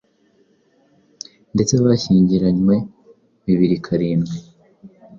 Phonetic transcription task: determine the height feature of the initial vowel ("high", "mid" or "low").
mid